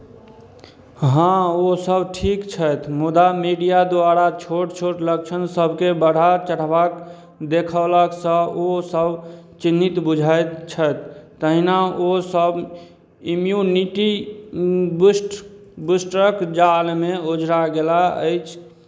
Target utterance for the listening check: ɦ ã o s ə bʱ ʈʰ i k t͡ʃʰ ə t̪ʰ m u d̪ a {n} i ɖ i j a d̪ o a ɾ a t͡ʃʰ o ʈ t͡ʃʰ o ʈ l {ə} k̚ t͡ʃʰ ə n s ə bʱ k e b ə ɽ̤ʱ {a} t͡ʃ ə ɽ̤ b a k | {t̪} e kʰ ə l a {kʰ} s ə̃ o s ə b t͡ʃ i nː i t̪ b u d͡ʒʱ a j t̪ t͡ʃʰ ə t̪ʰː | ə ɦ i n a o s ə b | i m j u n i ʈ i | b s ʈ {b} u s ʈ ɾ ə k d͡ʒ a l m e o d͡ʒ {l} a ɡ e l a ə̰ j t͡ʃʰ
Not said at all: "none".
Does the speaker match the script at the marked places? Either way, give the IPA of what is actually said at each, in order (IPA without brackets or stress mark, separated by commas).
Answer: m, ə, a, d̪, k, b, ɾ